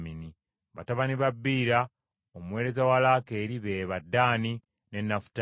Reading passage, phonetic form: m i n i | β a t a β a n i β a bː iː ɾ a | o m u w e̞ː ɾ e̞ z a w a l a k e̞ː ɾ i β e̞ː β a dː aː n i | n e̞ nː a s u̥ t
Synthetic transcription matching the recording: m i n i | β a t a β a n i β a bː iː ɾ a | o m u w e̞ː ɾ e̞ z a w a l a k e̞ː ɾ i β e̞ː β a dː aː n i | n e̞ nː a f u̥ t